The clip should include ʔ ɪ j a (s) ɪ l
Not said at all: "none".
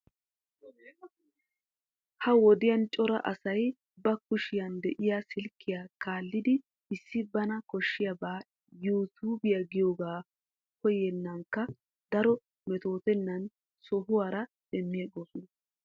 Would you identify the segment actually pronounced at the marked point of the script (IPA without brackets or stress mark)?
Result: s